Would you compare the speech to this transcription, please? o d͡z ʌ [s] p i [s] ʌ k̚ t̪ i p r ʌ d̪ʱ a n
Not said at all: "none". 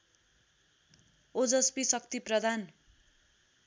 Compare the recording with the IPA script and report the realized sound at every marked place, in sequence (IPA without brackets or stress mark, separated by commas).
s, s